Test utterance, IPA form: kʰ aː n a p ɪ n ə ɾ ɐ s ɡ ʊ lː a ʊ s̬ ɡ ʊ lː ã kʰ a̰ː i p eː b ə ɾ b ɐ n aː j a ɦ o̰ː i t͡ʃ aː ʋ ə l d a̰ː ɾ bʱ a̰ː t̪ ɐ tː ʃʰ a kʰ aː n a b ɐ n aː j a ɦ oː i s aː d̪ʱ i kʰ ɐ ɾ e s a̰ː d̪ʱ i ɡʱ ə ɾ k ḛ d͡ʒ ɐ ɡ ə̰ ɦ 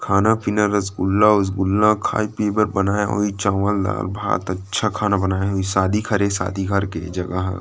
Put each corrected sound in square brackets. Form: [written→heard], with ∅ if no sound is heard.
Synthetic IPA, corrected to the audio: kʰ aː n a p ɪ n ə ɾ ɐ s ɡ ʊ lː a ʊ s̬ ɡ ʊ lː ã kʰ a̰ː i p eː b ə ɾ b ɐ n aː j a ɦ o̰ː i t͡ʃ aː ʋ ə l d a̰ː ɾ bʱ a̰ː t̪ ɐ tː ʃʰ a kʰ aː n a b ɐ n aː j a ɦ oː i s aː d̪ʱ i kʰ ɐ ɾ e s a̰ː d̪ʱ i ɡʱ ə ɾ k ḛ d͡ʒ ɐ ɡ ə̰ ɦ